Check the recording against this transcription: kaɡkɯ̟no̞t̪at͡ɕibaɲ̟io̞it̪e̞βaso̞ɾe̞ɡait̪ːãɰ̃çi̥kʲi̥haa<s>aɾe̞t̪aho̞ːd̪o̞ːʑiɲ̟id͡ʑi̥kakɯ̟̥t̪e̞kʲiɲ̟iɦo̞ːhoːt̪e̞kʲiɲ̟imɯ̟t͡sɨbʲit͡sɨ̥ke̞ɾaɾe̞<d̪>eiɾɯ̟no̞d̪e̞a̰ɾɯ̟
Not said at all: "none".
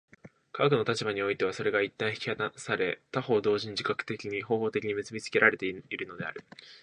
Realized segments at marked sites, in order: s, t̪

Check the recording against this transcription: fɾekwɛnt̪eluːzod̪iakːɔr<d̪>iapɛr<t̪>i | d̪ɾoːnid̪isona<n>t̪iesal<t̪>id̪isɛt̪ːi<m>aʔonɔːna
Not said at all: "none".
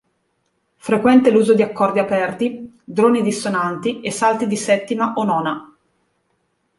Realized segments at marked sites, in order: d̪, t̪, n, t̪, m

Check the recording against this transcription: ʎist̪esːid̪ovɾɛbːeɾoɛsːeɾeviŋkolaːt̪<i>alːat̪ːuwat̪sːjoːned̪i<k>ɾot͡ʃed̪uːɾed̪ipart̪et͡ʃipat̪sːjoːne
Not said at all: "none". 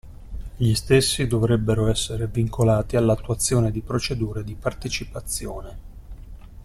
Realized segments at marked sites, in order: i, p

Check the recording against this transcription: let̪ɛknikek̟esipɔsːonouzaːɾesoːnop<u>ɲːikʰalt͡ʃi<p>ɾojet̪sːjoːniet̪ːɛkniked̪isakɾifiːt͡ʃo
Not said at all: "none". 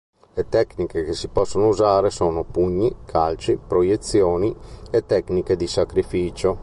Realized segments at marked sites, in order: u, p

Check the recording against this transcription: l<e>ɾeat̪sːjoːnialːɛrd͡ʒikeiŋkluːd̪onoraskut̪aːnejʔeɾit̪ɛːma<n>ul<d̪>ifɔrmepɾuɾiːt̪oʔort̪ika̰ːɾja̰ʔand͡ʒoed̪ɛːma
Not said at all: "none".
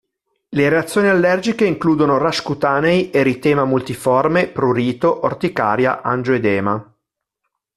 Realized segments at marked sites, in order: e, m, t̪

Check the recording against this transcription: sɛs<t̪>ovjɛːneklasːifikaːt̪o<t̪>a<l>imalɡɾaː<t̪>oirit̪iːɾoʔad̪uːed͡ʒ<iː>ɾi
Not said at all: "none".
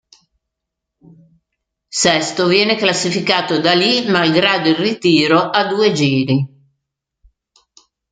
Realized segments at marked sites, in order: t̪, d̪, l, d̪, iː

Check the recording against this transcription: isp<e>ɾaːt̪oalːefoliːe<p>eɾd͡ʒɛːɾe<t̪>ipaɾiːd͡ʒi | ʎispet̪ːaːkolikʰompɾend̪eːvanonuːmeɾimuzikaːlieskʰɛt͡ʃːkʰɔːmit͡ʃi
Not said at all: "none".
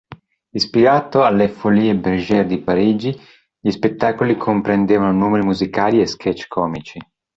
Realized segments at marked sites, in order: i, b, d̪

